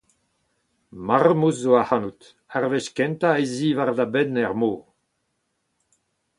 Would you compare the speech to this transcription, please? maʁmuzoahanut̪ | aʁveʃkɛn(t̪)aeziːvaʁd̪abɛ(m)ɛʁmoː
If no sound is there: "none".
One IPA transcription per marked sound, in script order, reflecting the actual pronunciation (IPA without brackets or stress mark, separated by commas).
t̪, n